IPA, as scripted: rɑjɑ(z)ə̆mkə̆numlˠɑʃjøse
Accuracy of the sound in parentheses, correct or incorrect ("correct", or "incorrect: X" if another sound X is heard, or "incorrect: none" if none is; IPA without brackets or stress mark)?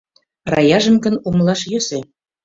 incorrect: ʒ